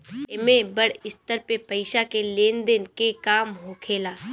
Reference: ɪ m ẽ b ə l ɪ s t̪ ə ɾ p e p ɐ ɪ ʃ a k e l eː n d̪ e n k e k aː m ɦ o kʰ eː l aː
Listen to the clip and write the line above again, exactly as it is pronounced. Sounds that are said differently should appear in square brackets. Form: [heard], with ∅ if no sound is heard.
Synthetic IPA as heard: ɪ m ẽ b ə [ɽ] ɪ s t̪ ə ɾ p e p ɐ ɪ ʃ a k e l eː n d̪ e n k e k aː m ɦ o kʰ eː l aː